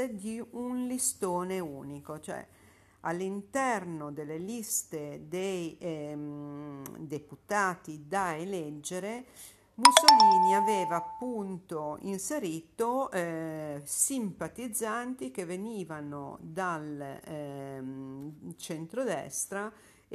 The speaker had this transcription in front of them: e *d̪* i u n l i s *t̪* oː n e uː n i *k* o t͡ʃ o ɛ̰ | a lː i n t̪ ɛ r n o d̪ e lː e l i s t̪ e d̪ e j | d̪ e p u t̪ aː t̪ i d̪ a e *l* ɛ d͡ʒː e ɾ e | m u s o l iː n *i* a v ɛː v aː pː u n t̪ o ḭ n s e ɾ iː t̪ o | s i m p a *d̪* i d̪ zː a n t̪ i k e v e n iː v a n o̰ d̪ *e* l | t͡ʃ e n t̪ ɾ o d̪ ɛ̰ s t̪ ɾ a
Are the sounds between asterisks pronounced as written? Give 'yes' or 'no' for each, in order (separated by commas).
yes, yes, yes, yes, yes, no, no